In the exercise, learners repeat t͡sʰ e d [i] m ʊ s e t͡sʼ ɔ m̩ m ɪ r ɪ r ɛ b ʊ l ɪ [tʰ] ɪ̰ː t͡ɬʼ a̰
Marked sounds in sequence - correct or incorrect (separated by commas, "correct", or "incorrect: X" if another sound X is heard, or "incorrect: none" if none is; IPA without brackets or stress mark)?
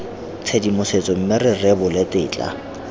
correct, incorrect: t